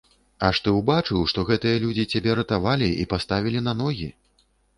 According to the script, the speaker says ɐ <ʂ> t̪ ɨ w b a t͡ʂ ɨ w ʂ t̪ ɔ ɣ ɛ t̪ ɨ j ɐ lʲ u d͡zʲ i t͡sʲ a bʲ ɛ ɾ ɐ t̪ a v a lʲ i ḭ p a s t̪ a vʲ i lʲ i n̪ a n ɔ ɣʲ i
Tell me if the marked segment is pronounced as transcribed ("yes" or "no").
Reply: yes